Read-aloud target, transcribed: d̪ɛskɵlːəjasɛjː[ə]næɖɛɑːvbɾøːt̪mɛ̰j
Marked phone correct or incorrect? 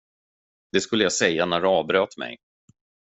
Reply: incorrect: a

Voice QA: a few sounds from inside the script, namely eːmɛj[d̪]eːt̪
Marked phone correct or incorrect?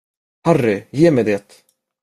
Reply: correct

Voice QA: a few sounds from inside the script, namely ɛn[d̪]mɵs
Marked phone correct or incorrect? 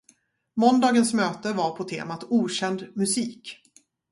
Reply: correct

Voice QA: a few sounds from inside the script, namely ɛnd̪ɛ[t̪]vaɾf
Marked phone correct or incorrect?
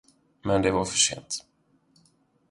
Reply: incorrect: none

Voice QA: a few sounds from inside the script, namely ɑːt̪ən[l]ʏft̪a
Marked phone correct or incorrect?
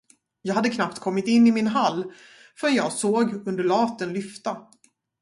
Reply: correct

